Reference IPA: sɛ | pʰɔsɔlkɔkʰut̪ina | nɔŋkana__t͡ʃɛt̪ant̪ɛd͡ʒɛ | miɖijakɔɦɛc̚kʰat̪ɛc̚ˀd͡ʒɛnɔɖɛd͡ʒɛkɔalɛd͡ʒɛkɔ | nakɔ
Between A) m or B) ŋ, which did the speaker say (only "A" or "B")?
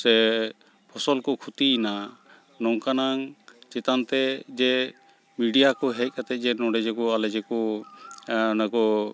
B